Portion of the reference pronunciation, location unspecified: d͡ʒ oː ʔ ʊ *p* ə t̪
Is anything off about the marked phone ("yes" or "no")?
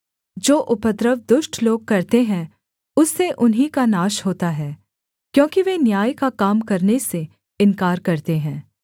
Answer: no